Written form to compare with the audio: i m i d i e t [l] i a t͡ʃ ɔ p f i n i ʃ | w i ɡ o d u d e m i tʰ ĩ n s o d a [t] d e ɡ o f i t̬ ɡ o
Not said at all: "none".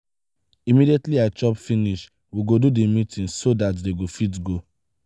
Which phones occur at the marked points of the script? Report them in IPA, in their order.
l, t

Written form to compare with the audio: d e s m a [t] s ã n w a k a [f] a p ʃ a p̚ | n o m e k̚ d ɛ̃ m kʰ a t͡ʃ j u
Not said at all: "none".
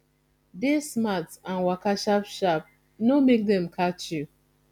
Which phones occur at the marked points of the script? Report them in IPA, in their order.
t, ʃ

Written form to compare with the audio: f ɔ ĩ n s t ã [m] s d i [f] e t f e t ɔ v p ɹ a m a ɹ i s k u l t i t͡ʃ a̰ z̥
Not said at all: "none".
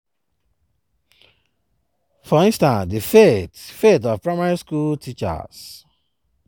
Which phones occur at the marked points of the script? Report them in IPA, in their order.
n, f

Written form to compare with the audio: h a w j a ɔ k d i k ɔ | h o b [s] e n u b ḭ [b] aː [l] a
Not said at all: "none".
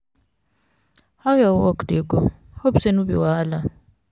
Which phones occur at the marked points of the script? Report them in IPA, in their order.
s, w, l

